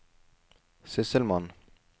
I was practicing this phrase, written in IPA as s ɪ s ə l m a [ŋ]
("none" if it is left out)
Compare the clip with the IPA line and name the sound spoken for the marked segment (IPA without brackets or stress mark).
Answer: n